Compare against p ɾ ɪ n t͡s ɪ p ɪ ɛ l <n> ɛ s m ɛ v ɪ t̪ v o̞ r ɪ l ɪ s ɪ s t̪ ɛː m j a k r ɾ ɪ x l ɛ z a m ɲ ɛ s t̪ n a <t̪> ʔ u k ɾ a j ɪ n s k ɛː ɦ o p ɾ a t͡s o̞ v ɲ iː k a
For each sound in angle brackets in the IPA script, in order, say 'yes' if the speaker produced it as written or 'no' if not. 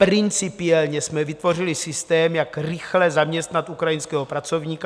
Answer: no, yes

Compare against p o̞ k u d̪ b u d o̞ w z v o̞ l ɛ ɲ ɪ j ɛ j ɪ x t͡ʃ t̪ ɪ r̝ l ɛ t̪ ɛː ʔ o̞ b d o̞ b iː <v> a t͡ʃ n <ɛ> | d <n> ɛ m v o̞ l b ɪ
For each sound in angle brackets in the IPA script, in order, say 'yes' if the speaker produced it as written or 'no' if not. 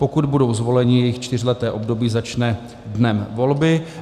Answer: no, yes, yes

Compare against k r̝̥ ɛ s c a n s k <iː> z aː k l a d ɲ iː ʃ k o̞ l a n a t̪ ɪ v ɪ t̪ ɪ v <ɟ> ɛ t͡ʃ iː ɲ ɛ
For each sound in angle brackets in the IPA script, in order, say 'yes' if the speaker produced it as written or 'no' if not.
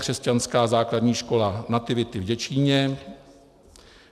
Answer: no, yes

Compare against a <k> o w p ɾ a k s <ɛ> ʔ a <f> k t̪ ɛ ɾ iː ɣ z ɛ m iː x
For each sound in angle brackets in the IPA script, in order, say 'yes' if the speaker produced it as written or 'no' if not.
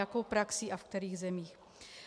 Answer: yes, no, yes

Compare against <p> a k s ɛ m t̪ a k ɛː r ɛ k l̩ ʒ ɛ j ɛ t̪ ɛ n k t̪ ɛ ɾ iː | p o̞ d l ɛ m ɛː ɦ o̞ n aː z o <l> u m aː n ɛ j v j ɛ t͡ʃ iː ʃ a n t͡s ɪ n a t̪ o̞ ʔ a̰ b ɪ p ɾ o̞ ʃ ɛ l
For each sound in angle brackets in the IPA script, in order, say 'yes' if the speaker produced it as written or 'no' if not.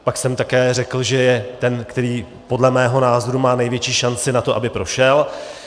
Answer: yes, no

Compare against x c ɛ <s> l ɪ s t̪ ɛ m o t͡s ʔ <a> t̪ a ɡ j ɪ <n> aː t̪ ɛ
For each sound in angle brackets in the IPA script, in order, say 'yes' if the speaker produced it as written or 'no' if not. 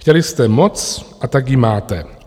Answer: no, yes, no

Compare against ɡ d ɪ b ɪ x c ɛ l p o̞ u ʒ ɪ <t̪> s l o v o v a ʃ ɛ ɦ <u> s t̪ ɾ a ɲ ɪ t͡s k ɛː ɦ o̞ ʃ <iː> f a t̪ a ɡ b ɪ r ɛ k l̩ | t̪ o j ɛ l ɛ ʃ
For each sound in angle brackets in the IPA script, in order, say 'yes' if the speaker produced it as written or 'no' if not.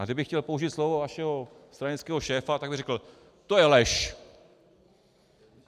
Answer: yes, no, no

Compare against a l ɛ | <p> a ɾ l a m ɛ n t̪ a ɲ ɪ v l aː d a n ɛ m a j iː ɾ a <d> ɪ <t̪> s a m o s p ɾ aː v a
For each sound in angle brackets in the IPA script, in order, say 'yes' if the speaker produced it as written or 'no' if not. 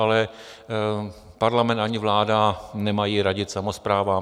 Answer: yes, no, yes

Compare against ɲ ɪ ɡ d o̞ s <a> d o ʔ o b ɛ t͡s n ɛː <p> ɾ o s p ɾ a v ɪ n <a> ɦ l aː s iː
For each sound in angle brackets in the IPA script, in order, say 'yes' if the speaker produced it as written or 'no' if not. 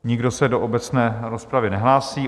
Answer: no, no, no

